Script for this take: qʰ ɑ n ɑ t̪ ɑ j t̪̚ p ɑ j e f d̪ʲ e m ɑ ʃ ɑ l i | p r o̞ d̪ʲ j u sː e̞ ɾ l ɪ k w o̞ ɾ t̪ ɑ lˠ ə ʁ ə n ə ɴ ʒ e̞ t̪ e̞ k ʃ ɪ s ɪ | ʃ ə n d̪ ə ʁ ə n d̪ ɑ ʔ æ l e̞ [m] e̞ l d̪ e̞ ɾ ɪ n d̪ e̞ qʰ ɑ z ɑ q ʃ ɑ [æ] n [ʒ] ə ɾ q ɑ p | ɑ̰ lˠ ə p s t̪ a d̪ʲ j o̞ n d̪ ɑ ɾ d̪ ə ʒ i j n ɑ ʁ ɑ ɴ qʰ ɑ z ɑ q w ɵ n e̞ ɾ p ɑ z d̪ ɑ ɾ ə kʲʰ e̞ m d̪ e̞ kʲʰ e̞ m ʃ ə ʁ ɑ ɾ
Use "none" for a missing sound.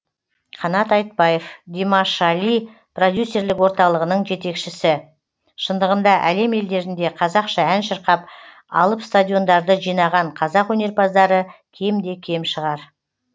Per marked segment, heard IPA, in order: m, æ, ʃ

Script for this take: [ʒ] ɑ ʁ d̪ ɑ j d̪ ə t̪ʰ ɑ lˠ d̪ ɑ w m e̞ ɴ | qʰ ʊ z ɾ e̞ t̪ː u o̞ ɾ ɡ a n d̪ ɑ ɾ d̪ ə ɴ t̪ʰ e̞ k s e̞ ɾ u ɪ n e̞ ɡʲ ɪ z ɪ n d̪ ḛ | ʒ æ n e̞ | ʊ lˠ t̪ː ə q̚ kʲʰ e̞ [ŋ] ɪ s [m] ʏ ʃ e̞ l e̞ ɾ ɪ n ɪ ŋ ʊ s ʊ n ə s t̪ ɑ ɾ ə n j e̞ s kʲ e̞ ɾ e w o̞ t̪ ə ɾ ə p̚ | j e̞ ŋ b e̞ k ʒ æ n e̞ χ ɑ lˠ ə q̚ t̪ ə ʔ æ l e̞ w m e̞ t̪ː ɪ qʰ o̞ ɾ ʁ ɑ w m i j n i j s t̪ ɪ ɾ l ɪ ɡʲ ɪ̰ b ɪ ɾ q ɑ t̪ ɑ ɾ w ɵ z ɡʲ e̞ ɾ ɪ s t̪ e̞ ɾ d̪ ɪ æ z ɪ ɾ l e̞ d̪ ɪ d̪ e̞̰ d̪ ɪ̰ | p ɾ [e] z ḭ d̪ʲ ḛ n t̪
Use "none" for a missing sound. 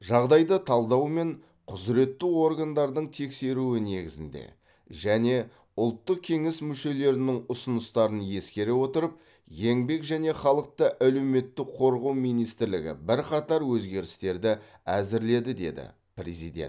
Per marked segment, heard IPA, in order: ʒ, ŋ, m, e

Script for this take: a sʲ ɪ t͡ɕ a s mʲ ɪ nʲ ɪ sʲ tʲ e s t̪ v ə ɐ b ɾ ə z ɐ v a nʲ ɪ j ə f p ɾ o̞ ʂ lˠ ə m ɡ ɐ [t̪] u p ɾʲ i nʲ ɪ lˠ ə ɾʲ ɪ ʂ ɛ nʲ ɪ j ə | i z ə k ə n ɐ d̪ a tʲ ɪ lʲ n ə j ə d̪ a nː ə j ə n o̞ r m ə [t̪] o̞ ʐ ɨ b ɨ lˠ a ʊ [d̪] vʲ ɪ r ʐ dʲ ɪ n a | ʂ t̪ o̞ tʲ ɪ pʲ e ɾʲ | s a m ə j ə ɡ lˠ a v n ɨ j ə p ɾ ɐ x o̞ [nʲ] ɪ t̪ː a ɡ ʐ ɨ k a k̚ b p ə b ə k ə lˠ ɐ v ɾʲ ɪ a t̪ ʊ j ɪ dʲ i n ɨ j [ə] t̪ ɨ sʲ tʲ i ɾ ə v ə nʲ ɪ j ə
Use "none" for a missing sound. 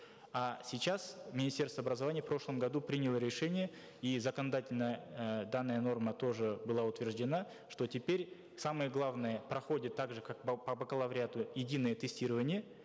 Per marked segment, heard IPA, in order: d̪, t̪, t̪, dʲ, ə

